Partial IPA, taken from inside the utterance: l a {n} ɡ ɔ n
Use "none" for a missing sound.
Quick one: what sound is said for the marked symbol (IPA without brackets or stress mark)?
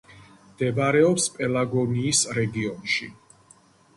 none